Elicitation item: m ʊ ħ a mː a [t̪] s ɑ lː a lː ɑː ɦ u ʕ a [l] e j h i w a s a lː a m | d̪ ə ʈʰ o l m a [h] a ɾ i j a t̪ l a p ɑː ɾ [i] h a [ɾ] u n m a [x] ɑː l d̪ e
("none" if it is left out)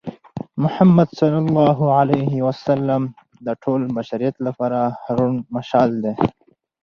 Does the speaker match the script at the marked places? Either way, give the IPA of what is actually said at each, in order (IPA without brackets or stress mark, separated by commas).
d̪, l, ʃ, a, ɾ, ʃ